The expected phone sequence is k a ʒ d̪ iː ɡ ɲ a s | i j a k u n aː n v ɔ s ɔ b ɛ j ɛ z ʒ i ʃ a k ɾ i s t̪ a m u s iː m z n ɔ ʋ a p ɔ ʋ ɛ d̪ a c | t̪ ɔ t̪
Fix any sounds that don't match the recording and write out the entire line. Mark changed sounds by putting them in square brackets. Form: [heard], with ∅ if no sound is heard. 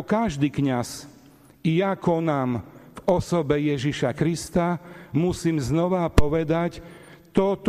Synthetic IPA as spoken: k a ʒ d̪ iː [k] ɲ a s | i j a k [ɔ] n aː [m] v ɔ s ɔ b ɛ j ɛ [∅] ʒ i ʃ a k ɾ i s t̪ a m u s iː m z n ɔ ʋ a p ɔ ʋ ɛ d̪ a c | t̪ ɔ t̪